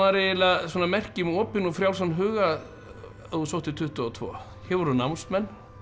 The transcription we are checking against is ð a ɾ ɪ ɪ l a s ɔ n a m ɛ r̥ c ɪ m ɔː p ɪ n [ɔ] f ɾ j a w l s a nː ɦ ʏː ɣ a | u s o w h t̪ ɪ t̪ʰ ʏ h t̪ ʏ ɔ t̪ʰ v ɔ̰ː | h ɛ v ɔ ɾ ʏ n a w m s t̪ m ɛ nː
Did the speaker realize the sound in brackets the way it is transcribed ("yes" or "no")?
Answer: yes